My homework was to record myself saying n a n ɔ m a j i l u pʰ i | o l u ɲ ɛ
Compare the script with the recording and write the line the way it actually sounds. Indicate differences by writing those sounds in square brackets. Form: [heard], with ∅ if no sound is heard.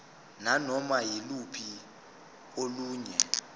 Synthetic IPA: n a n ɔ m a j i l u pʰ i | o l [uː] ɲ ɛ